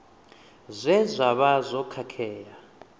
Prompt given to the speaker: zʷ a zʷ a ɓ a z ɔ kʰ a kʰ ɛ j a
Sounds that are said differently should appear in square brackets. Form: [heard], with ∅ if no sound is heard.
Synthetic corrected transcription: zʷ [ɛ] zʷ a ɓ a z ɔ kʰ a kʰ [ɛː] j a